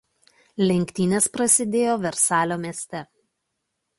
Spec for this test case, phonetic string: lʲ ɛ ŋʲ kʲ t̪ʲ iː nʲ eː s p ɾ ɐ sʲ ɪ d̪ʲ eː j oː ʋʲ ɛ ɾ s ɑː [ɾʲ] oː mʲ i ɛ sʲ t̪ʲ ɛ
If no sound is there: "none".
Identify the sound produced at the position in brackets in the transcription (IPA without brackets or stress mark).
lʲ